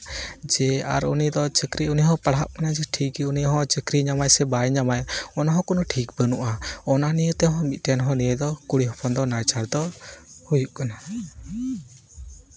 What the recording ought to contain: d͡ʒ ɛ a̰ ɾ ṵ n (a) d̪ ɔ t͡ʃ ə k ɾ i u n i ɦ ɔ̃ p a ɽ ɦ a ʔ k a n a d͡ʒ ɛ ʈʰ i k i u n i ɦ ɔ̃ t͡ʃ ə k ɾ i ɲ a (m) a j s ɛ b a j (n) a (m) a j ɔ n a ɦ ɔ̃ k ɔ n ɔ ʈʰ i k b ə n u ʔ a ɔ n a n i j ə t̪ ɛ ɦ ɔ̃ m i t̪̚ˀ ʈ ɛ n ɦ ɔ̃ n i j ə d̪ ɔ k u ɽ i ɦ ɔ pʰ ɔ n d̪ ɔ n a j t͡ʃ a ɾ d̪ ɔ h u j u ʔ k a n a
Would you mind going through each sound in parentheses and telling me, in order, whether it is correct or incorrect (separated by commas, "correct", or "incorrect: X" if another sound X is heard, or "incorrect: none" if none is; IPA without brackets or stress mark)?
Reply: incorrect: i, correct, incorrect: ɲ, correct